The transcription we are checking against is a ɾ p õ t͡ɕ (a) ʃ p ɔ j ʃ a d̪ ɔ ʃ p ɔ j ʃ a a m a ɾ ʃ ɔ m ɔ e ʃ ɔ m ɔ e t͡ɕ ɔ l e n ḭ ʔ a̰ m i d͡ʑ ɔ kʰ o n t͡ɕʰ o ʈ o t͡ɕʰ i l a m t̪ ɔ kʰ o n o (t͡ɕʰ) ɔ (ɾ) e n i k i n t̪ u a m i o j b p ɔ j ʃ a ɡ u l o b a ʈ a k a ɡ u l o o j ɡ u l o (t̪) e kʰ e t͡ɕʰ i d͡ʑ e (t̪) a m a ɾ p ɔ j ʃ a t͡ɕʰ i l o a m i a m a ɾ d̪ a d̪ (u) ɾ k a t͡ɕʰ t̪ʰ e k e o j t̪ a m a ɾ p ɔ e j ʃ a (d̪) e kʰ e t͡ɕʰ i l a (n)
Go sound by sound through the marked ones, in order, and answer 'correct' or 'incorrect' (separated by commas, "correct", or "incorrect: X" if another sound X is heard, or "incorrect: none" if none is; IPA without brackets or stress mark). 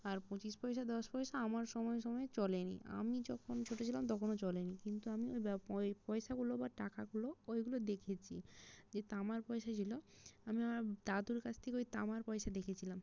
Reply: incorrect: i, incorrect: t͡ɕ, incorrect: l, incorrect: d̪, correct, correct, correct, incorrect: m